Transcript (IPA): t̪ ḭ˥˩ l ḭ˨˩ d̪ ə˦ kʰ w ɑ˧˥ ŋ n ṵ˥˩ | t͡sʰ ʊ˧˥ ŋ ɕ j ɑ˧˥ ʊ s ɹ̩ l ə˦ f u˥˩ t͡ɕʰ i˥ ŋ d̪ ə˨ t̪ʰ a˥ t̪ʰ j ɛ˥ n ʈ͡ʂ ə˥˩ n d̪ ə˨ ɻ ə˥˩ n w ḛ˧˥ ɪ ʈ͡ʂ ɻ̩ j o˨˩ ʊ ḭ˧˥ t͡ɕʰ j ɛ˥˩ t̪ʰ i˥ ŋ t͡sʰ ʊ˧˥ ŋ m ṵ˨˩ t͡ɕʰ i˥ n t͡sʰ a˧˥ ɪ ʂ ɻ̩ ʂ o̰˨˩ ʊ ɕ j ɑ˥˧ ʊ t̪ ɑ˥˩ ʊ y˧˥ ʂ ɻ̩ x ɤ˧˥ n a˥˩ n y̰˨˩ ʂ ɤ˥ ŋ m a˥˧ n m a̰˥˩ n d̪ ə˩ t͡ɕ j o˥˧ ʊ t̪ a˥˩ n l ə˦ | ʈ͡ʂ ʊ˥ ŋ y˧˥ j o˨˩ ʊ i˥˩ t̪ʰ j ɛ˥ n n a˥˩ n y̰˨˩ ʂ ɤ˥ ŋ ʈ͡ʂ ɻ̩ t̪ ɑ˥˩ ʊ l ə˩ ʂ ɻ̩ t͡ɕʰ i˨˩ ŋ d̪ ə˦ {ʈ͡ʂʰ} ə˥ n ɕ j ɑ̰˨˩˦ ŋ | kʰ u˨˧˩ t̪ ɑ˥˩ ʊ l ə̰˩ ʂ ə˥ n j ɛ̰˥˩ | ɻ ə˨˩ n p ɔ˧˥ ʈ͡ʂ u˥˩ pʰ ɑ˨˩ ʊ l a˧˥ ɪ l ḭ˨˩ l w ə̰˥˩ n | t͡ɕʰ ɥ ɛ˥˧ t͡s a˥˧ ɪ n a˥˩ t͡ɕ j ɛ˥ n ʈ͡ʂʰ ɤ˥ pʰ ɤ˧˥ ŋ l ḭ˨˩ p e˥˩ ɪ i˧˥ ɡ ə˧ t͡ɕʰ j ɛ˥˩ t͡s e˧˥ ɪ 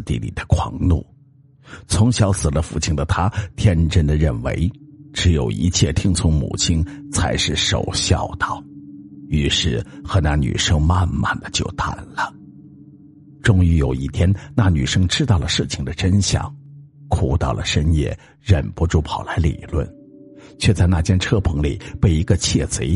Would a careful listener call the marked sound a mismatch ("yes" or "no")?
yes